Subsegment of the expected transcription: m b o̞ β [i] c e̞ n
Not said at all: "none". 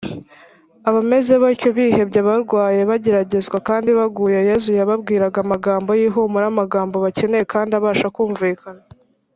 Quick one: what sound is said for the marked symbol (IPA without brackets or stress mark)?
a